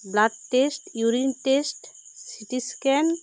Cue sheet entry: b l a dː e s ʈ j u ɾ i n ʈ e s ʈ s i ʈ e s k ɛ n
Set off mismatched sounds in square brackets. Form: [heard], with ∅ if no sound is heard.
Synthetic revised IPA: b l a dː e s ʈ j u ɾ i n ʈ e s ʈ s i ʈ [i] s k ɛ n

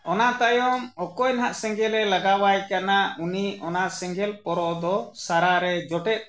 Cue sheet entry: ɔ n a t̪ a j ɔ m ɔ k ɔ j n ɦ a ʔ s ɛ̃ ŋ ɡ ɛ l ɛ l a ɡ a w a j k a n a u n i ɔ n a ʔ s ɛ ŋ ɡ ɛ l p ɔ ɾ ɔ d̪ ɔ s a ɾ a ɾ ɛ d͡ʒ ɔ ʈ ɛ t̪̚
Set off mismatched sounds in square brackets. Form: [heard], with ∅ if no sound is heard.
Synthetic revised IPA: ɔ n a t̪ a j ɔ m ɔ k ɔ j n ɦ a ʔ s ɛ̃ ŋ ɡ ɛ l ɛ l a ɡ a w a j k a n a u n i ɔ n a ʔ s ɛ ŋ ɡ ɛ l p ɔ ɾ ɔ d̪ ɔ s a ɾ a ɾ ɛ d͡ʒ ɔ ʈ ɛ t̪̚

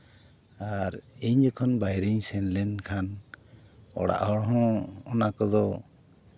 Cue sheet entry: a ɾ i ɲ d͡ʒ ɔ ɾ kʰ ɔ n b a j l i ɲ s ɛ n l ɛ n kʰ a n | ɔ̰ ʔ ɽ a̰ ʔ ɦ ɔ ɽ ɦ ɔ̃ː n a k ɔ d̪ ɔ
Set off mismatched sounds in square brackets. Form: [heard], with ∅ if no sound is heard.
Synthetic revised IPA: a ɾ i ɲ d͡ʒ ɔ [∅] kʰ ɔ n b a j [ɾ] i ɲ s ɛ n l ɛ n kʰ a n | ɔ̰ [∅] ɽ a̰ ʔ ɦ ɔ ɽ ɦ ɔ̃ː n a k ɔ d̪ ɔ

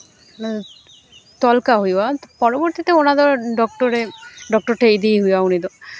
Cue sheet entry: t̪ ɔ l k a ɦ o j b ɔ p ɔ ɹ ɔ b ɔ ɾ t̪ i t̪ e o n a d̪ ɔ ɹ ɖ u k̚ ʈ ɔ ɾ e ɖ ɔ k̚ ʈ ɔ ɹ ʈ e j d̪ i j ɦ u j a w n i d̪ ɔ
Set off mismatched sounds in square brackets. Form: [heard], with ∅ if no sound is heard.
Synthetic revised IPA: t̪ ɔ l k a ɦ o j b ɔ p ɔ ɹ ɔ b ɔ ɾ t̪ i t̪ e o n a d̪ ɔ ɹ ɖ [ɔ] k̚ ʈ ɔ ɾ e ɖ ɔ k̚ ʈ ɔ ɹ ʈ e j d̪ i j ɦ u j a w n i d̪ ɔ

